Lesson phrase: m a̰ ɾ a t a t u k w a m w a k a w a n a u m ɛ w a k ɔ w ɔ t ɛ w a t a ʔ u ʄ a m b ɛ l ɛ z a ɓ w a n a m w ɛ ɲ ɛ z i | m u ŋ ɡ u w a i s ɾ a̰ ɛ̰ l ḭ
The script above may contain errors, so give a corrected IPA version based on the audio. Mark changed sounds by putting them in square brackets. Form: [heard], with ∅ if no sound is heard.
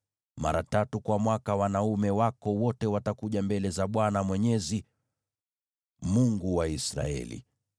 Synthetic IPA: m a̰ ɾ a t a t u k w a m w a k a w a n a u m ɛ w a k ɔ w ɔ t ɛ w a t a [k] u ʄ a m b ɛ l ɛ z a ɓ w a n a m w ɛ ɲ ɛ z i | m u ŋ ɡ u w a i s ɾ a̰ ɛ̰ l ḭ